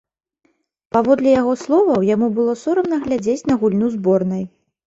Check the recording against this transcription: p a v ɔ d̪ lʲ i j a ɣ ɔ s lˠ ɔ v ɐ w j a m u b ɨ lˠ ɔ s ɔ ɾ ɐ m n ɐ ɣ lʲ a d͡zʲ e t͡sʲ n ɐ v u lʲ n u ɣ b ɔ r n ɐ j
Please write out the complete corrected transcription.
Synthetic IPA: p a v ɔ d̪ lʲ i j a ɣ ɔ s lˠ ɔ v ɐ w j a m u b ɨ lˠ ɔ s ɔ ɾ ɐ m n ɐ ɣ lʲ a d͡zʲ e t͡sʲ n ɐ ɣ u lʲ n u z b ɔ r n ɐ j